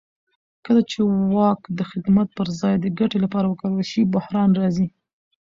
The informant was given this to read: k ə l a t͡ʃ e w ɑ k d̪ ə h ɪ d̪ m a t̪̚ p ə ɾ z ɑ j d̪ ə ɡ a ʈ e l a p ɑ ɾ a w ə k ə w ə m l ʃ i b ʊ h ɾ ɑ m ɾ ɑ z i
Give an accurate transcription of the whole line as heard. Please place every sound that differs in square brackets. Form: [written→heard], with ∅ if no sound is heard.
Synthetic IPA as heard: k ə l a t͡ʃ e w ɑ k d̪ ə [h→x] ɪ d̪ m a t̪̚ p ə ɾ z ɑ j d̪ ə ɡ a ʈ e l a p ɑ ɾ a w ə k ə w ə [m→∅] l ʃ i b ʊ h ɾ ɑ [m→n] ɾ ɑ z i